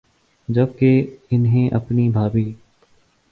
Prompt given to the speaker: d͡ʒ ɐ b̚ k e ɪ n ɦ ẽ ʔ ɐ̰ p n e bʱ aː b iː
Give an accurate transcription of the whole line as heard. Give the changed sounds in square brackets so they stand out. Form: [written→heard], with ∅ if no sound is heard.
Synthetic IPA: d͡ʒ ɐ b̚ k e ɪ n ɦ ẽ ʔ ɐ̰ p n [e→i] bʱ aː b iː